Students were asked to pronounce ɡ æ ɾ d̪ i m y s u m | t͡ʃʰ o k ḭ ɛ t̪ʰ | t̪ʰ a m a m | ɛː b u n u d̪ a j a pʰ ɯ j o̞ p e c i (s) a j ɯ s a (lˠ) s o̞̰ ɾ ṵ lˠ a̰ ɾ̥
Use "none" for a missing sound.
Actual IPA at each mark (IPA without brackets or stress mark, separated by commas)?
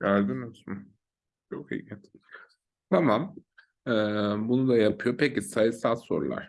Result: s, lˠ